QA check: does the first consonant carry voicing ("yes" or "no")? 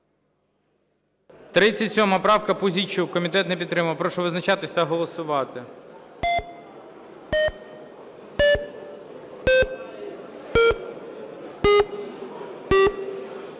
no